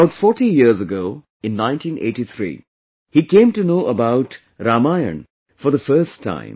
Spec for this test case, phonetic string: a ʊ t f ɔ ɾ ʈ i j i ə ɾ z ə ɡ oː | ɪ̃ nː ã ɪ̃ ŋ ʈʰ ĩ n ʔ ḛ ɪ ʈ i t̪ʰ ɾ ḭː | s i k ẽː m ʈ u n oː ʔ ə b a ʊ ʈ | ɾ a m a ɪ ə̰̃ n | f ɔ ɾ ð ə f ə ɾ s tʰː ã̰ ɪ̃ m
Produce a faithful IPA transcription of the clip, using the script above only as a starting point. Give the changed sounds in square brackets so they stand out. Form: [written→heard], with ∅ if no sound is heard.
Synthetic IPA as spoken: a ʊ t f ɔ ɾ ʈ i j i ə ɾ z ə ɡ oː | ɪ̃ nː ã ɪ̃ [ŋ→n] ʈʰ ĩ n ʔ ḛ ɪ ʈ i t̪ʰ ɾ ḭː | [s→h] i k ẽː m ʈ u n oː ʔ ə b a ʊ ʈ | ɾ a m a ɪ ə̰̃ n | f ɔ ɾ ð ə f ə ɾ s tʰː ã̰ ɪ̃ m

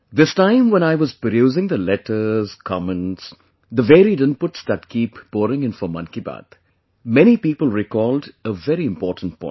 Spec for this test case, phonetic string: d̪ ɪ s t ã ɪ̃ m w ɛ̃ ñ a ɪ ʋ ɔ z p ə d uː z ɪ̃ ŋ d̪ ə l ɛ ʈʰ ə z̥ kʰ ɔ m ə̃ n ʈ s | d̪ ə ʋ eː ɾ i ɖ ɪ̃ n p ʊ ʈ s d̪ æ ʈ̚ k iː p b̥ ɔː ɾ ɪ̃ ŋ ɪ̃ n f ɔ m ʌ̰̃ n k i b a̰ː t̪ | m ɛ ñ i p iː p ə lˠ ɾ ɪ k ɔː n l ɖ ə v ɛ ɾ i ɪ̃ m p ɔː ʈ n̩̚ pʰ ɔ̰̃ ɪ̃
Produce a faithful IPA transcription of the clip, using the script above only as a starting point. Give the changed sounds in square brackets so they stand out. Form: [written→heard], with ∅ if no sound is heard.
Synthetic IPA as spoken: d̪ ɪ s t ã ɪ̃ m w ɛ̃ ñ a ɪ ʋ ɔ z p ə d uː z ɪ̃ ŋ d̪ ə l ɛ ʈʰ ə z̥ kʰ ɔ m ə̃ n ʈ s | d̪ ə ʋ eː ɾ i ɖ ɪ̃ n p ʊ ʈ s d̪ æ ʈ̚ k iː p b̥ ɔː ɾ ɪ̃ ŋ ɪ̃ n f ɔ m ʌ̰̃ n k i b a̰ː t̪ | m ɛ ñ i p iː p ə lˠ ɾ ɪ k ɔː [n→∅] l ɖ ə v ɛ ɾ i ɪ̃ m p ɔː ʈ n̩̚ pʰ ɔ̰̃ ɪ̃

